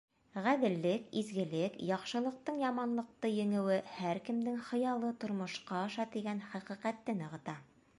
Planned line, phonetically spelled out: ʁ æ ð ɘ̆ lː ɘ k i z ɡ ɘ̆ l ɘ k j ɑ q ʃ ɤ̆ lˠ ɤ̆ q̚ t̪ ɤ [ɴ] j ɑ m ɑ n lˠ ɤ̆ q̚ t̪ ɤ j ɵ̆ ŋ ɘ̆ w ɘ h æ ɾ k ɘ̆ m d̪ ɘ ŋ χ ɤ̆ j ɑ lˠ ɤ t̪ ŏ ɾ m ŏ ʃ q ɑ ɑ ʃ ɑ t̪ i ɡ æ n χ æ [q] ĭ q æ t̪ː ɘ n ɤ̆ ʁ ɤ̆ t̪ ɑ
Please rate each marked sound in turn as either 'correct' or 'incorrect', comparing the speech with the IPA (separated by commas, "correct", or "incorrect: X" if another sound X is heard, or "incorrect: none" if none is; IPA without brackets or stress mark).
correct, correct